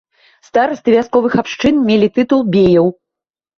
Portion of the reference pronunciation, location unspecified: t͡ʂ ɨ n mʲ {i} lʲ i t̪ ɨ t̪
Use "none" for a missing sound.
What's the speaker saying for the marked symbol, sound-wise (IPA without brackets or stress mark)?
e